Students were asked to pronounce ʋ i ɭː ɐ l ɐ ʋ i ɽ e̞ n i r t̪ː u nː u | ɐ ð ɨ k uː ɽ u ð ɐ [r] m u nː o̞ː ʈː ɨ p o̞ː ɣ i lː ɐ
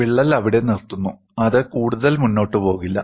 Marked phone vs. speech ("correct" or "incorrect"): incorrect